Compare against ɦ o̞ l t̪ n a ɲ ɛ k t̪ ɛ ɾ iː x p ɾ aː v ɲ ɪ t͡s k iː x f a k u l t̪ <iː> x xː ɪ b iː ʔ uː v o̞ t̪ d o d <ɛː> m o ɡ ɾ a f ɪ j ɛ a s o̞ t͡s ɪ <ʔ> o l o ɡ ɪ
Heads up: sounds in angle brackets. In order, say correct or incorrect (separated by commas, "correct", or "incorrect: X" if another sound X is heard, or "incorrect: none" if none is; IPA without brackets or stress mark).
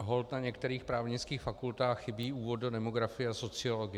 incorrect: aː, incorrect: ɛ, incorrect: none